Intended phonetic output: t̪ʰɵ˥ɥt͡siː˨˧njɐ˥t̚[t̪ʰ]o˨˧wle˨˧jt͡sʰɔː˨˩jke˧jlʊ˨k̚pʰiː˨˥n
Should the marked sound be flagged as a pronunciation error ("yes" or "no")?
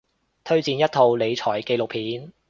no